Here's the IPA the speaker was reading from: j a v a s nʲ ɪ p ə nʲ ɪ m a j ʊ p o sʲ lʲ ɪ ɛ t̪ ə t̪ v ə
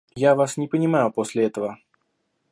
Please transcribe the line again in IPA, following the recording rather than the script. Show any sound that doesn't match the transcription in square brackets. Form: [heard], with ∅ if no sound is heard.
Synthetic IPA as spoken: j a v a s nʲ ɪ p ə nʲ ɪ m a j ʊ p o sʲ lʲ ɪ ɛ t̪ ə [∅] v ə